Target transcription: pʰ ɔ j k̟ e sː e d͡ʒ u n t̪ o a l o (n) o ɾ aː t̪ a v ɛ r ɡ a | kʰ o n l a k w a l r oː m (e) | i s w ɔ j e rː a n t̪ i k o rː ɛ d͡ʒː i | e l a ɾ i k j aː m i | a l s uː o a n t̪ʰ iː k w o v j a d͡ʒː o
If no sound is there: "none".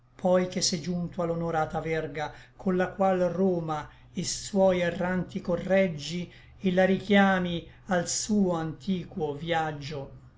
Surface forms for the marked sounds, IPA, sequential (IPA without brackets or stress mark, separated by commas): n, a